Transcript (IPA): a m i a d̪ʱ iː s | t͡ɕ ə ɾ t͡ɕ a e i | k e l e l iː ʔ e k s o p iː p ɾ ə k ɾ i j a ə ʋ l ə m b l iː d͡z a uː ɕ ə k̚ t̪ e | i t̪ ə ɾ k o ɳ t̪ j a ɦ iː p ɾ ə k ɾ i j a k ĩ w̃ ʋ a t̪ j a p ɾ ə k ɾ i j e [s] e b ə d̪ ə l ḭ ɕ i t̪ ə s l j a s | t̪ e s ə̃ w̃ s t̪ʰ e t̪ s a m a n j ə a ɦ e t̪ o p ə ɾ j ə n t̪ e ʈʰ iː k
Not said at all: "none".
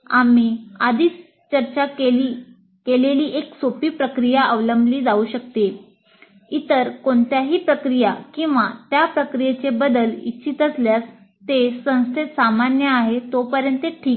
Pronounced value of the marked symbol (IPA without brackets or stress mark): t͡s